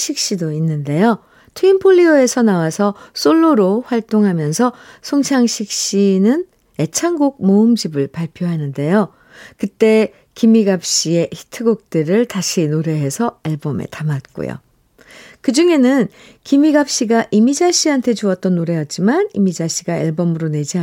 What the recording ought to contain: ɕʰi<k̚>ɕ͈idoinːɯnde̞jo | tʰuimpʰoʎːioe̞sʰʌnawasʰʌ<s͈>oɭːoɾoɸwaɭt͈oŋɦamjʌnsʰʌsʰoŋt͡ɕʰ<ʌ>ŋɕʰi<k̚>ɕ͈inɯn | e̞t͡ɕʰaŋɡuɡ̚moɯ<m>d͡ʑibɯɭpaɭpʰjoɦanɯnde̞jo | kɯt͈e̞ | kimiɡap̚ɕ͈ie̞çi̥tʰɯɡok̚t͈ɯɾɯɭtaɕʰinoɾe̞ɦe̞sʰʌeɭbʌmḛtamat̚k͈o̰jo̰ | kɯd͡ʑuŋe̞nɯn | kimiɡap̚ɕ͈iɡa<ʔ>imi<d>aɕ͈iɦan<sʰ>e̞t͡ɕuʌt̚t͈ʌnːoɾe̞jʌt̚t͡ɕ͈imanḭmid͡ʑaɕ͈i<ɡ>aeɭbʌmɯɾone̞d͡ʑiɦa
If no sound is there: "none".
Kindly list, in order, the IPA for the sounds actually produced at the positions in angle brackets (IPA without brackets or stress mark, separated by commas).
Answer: k̚, s͈, a, k̚, m, ʔ, d͡ʑ, tʰ, ɡ